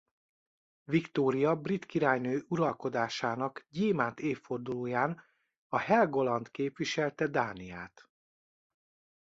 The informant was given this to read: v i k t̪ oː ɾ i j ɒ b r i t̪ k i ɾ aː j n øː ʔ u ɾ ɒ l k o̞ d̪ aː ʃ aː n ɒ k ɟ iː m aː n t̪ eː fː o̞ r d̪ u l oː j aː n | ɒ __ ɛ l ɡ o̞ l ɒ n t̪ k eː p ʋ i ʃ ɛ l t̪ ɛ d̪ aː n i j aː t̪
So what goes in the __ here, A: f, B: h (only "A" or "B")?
B